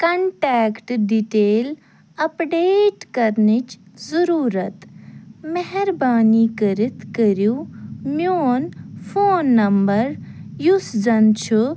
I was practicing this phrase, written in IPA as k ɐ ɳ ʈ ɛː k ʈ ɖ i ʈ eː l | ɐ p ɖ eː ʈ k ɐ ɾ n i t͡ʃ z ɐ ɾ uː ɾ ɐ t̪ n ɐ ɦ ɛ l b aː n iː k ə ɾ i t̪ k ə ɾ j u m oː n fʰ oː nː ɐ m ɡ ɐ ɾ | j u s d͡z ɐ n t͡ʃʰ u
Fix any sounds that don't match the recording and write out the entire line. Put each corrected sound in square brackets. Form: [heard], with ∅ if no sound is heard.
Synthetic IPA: k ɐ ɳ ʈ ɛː k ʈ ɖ i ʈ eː l | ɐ p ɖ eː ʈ k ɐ ɾ n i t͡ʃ z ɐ ɾ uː ɾ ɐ t̪ [m] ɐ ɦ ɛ [ɾ] b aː n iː k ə ɾ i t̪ k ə ɾ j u m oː n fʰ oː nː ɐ m [b] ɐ ɾ | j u s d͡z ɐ n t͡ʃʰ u